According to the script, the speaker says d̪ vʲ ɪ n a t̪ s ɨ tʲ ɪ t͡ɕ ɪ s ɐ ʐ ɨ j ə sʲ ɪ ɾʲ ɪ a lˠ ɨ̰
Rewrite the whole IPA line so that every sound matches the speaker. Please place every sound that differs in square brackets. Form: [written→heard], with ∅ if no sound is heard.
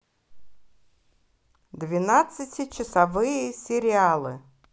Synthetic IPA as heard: d̪ vʲ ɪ n a t̪ s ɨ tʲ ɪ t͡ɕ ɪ s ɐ [ʐ→v] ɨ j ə sʲ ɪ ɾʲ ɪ a lˠ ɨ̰